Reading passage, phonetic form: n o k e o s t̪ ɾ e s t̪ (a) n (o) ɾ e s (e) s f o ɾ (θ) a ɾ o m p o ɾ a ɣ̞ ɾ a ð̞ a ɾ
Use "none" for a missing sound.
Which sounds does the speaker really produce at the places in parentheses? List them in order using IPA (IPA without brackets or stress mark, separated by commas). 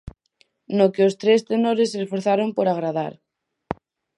e, o, e, θ